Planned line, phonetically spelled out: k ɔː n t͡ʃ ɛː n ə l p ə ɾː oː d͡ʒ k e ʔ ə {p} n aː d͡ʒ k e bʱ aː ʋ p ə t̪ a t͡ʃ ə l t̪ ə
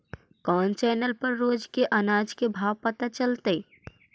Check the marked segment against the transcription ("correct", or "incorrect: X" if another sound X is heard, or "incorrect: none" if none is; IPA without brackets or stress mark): incorrect: none